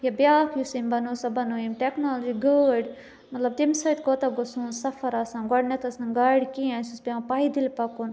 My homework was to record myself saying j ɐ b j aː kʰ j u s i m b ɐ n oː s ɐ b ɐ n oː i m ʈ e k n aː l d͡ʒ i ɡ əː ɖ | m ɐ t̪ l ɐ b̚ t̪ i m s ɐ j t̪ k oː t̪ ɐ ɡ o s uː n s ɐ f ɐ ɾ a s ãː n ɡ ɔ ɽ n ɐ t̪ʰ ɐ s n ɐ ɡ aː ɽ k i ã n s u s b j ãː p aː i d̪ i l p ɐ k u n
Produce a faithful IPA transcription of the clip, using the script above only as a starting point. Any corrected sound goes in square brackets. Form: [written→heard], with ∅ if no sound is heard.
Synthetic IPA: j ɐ b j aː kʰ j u s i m b ɐ n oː s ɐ b ɐ n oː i m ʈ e k n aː l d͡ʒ i ɡ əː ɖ | m ɐ t̪ l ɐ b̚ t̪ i m s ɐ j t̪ k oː t̪ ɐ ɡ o s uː n s ɐ f ɐ ɾ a s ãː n ɡ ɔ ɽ n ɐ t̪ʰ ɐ s n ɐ ɡ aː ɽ k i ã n s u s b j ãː p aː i d̪ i l p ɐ k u n